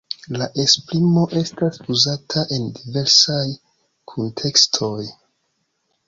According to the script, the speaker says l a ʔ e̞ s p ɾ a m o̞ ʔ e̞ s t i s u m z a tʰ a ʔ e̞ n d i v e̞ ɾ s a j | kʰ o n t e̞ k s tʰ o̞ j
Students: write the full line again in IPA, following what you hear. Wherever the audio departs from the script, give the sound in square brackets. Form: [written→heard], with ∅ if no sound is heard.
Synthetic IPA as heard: l a ʔ e̞ s p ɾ [a→i] m o̞ ʔ e̞ s t [i→a] s u [m→∅] z a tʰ a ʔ e̞ n d i v e̞ ɾ s a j | kʰ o n [t→tʰ] e̞ k s tʰ o̞ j